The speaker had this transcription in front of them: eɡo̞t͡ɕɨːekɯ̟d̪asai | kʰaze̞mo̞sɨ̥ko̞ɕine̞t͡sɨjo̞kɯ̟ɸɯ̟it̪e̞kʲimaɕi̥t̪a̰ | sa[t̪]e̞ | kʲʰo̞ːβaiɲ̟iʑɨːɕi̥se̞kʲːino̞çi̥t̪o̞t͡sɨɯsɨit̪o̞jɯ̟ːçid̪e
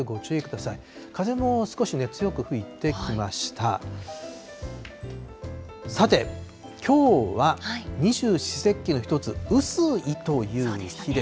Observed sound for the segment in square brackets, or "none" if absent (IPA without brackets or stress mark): t̪